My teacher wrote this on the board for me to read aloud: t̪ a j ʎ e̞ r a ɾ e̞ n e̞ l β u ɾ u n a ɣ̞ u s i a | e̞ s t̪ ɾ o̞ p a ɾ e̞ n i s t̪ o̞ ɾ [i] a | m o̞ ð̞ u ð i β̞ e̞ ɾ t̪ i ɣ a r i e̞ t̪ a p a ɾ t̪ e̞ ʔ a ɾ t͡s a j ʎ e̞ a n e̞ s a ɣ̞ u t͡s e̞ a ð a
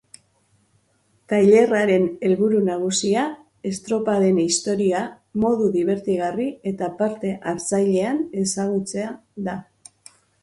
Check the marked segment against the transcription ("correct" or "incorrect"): correct